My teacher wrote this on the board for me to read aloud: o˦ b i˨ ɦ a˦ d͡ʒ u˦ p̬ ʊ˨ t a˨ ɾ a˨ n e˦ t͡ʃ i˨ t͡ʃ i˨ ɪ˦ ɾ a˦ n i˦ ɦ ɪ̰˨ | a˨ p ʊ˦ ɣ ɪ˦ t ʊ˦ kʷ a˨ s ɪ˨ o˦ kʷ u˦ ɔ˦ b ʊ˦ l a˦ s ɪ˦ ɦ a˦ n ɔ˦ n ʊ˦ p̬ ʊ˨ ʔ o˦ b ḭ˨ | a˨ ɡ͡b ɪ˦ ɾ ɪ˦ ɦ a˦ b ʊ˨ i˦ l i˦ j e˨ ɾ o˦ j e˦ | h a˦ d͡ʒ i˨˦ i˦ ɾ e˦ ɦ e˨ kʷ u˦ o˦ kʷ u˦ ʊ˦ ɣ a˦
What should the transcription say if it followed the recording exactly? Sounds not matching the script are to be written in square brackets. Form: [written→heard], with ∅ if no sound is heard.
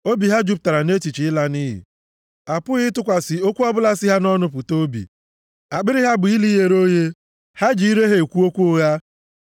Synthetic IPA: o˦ b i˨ ɦ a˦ d͡ʒ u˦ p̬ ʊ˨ t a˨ ɾ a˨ n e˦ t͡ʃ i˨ t͡ʃ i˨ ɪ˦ [ɾ→l] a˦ n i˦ ɦ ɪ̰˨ | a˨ p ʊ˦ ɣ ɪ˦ t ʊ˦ kʷ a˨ s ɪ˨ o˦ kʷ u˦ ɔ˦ b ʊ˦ l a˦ s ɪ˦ ɦ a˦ n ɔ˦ n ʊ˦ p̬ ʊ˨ [ʔ→t] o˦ b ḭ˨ | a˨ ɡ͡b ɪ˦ ɾ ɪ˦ ɦ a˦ b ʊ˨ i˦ l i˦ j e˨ ɾ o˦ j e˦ | h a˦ d͡ʒ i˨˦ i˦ ɾ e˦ ɦ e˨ kʷ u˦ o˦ kʷ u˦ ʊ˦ ɣ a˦